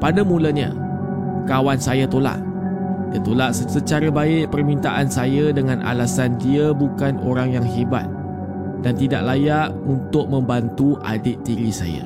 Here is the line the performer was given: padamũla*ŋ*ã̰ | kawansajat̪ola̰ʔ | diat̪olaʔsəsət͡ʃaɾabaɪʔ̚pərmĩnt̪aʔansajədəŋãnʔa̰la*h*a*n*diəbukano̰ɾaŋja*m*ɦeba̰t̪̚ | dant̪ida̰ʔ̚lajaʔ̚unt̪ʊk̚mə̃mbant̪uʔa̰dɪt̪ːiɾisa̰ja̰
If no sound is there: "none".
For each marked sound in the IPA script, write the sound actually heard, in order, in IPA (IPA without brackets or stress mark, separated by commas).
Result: ɲ, s, n, ŋ